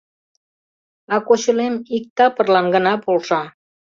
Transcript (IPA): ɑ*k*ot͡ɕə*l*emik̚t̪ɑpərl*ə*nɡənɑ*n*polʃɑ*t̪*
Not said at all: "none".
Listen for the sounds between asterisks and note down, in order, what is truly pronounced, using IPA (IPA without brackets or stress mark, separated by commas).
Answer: k, l, ɑ, none, none